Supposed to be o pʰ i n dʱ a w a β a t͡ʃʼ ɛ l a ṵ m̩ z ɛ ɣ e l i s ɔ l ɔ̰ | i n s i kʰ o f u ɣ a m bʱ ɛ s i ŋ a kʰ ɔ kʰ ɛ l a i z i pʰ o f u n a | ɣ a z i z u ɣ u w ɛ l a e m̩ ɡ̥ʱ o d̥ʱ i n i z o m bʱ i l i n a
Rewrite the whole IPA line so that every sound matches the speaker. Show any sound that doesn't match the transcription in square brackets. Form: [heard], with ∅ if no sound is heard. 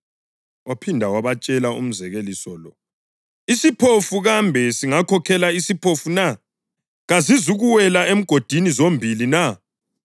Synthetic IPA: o pʰ i n dʱ a w a β a t͡ʃʼ ɛ l a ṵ m̩ z ɛ ɣ e l i s ɔ l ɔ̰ | i [∅] s i [pʰ] o f u ɣ a m bʱ ɛ s i ŋ a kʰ ɔ kʰ ɛ l a i [s] i pʰ o f u n a | ɣ a z i z u ɣ u w ɛ l a e m̩ ɡ̥ʱ o d̥ʱ i n i z o m bʱ i l i n a